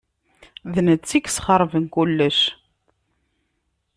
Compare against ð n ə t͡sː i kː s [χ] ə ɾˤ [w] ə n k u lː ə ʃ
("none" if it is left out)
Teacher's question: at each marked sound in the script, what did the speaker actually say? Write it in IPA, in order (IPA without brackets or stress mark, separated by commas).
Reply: χ, v